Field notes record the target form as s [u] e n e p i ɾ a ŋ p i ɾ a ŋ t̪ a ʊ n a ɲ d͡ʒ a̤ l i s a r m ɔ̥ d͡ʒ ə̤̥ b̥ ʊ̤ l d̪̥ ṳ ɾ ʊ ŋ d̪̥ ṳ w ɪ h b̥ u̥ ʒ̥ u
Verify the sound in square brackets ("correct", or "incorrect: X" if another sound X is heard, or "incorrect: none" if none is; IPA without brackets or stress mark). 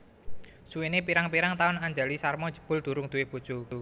correct